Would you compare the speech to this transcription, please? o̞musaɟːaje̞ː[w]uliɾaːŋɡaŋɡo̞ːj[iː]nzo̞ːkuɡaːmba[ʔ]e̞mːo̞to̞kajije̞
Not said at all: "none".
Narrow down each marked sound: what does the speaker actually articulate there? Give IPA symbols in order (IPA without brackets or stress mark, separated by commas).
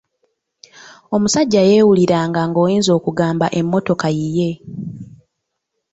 w, iː, ʔ